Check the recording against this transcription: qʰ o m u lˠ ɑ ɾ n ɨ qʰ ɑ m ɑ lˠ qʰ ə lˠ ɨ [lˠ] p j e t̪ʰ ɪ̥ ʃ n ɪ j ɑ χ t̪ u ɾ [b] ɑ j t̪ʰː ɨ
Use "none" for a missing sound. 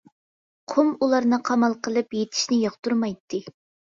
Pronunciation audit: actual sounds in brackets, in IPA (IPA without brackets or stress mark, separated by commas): none, m